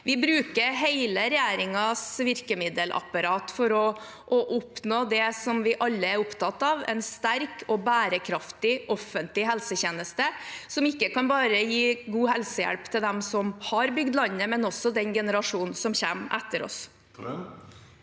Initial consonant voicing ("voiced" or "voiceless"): voiced